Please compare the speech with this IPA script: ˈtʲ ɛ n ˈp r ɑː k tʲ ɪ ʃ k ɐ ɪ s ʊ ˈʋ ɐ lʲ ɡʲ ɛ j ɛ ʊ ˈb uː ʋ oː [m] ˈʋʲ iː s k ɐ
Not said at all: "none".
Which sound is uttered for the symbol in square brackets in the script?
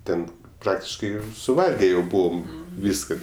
m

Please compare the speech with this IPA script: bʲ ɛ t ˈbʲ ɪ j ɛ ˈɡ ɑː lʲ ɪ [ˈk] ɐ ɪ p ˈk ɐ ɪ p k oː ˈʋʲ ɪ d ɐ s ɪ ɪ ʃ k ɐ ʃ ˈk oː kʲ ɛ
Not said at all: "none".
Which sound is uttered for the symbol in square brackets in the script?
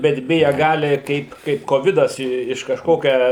k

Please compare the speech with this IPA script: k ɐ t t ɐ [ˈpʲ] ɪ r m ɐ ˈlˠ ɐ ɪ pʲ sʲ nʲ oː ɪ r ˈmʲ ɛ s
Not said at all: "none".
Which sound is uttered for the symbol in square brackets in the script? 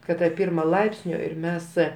pʲ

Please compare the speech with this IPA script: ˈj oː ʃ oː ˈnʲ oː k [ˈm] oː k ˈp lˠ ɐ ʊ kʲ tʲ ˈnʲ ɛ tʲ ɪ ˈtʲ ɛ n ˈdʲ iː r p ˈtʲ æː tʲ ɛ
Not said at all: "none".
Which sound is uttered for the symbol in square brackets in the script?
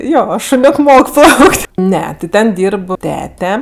m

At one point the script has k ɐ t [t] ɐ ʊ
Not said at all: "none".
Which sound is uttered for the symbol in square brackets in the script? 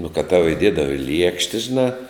t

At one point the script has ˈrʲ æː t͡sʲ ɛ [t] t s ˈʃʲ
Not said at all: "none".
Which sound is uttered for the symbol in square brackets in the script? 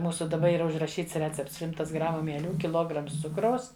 p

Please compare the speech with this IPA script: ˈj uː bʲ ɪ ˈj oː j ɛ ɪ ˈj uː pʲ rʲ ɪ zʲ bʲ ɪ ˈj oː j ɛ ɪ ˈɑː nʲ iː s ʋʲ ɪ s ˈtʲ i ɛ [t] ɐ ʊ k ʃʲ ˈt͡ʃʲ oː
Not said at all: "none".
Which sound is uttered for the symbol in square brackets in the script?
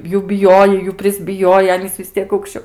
k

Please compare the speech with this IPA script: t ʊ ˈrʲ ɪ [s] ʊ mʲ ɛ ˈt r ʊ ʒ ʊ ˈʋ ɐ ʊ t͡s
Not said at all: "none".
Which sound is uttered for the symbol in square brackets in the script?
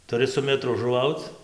s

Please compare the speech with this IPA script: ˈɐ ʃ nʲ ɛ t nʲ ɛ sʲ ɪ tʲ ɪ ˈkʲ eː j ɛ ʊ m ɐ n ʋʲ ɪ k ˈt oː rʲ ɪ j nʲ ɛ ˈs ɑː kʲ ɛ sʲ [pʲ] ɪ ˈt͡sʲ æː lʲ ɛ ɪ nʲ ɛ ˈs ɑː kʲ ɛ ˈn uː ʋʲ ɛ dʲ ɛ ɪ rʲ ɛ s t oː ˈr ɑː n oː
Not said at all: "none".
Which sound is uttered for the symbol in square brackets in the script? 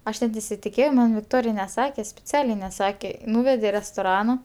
pʲ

